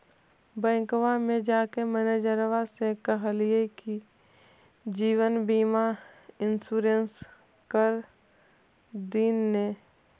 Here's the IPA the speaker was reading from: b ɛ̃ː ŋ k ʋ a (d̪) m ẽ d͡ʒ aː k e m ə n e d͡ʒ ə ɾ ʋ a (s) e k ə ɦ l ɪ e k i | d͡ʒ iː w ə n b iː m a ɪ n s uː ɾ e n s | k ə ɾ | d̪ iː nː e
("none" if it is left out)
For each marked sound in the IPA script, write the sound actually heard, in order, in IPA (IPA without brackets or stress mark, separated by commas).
none, s